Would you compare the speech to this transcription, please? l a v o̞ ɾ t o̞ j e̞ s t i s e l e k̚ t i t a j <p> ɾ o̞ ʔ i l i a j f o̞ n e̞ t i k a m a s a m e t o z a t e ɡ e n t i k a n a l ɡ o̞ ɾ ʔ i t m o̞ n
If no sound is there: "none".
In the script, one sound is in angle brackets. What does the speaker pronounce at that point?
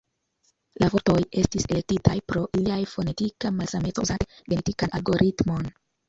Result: p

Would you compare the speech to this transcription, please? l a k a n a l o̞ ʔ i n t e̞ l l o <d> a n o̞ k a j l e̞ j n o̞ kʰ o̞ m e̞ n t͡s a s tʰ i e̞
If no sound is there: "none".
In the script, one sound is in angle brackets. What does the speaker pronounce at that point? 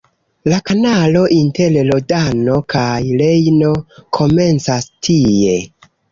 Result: d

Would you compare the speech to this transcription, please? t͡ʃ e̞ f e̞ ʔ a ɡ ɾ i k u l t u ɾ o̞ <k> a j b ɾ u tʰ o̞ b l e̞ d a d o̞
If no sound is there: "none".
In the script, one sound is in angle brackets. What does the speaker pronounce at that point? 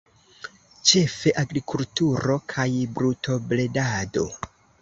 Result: kʰ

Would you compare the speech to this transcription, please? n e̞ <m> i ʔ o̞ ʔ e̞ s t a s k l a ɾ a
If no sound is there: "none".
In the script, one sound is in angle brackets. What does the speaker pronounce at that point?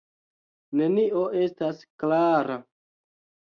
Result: n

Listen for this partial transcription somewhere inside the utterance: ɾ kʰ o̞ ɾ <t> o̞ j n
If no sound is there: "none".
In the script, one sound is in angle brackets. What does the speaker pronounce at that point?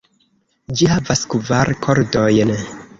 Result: d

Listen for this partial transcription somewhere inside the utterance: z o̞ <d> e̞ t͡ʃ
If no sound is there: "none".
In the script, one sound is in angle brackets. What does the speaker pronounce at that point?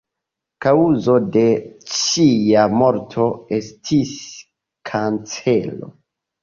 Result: d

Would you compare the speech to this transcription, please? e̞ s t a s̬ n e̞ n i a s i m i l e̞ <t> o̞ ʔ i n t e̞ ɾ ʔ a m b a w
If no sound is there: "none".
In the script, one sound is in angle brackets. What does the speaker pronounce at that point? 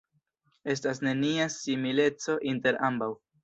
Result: t͡s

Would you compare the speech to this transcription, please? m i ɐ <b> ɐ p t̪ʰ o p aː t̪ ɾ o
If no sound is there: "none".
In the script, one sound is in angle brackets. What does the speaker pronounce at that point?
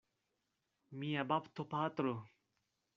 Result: b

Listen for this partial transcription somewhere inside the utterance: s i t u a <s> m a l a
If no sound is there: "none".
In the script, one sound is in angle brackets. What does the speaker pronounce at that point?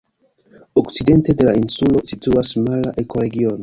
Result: s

